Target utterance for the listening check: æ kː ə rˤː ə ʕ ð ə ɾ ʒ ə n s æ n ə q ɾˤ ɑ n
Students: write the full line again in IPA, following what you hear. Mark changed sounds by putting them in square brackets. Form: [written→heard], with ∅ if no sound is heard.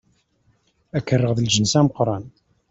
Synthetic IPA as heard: æ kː ə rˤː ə [ʕ→ʁ] ð ə [ɾ→l] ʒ ə n s æ [n→m] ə q ɾˤ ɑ n